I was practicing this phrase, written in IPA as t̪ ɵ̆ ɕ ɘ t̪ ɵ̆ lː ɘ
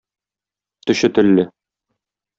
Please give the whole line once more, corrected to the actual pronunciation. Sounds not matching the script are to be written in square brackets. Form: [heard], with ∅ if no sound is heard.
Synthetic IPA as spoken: t̪ ɵ̆ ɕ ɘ t̪ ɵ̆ lː ɘ